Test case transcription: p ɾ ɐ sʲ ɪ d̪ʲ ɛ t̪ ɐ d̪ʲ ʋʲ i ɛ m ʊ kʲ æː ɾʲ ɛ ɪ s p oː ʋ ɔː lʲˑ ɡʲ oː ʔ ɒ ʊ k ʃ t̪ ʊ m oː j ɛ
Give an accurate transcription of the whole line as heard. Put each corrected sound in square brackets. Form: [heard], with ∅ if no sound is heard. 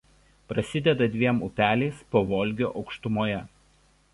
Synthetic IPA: p ɾ ɐ sʲ ɪ d̪ʲ ɛ [d̪] ɐ d̪ʲ ʋʲ i ɛ m ʊ [pʲ] æː [lʲ] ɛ ɪ s p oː ʋ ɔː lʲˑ ɡʲ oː ʔ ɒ ʊ k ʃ t̪ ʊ m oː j ɛ

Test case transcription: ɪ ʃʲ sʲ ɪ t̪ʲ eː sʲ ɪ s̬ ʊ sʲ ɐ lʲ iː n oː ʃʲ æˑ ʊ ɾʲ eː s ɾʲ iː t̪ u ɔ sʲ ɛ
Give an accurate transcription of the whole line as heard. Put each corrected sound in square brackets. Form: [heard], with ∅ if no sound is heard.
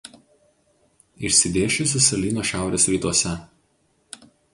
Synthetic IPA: ɪ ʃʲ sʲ ɪ [d̪ʲ] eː [ʃʲ] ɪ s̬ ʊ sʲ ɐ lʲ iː n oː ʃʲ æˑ ʊ ɾʲ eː s ɾʲ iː t̪ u ɔ sʲ ɛ

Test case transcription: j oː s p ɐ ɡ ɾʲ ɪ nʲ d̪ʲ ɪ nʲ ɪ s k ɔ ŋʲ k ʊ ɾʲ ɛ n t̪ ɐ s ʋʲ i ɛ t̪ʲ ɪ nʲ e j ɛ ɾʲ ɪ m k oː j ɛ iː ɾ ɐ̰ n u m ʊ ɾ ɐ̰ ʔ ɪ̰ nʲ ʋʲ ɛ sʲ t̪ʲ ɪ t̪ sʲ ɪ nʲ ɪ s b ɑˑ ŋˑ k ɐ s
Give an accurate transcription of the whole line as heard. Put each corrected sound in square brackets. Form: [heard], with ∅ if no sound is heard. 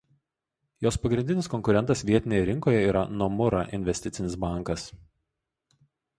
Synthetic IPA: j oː s p ɐ ɡ ɾʲ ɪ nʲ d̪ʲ ɪ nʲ ɪ s k ɔ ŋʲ k ʊ ɾʲ ɛ n t̪ ɐ s ʋʲ i ɛ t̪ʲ ɪ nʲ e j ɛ ɾʲ ɪ [ŋ] k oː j ɛ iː ɾ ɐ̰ n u m ʊ ɾ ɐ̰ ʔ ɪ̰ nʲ ʋʲ ɛ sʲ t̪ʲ ɪ t̪ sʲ ɪ nʲ ɪ s b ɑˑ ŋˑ k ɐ s

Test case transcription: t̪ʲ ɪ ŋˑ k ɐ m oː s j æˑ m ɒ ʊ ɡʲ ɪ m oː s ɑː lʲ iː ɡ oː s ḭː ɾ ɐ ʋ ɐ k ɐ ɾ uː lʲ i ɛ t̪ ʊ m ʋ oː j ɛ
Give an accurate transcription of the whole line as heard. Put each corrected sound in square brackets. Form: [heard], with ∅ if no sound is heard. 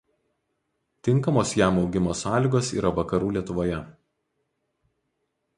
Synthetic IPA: t̪ʲ ɪ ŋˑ k ɐ m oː s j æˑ m ɒ ʊ ɡʲ ɪ m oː s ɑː lʲ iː ɡ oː s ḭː ɾ ɐ ʋ ɐ k ɐ ɾ uː lʲ i ɛ t̪ ʊ [∅] ʋ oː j ɛ

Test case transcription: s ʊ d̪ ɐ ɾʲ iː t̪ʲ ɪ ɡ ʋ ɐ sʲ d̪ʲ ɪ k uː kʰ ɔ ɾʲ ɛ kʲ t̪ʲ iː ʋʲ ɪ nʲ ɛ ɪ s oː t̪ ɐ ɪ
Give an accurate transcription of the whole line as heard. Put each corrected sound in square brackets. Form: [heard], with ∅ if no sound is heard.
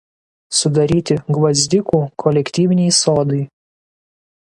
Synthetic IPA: s ʊ d̪ ɐ ɾʲ iː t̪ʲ ɪ ɡ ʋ ɐ [zʲ] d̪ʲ ɪ k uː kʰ ɔ [lʲ] ɛ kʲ t̪ʲ iː ʋʲ ɪ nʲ ɛ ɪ s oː [d̪] ɐ ɪ

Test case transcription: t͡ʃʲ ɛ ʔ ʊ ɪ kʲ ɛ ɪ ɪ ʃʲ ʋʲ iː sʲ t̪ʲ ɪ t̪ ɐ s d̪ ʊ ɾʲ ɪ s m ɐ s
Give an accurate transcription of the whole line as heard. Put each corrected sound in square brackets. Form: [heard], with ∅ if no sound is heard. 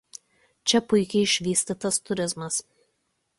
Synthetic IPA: t͡ʃʲ ɛ [p] ʊ ɪ kʲ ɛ ɪ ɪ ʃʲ ʋʲ iː sʲ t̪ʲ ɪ t̪ ɐ s [t̪] ʊ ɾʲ ɪ [z] m ɐ s

